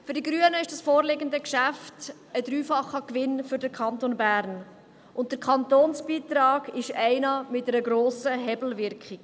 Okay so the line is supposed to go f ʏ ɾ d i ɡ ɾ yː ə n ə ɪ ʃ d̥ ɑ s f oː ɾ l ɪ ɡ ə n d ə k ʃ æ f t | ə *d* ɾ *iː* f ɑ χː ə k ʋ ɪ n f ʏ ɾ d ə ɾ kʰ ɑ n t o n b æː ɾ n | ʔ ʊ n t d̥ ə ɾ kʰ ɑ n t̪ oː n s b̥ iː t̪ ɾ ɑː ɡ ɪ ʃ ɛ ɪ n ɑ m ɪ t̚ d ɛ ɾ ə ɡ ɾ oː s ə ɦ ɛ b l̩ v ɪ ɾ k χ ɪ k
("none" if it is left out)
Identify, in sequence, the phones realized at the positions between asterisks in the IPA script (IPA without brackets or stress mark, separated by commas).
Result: d, yː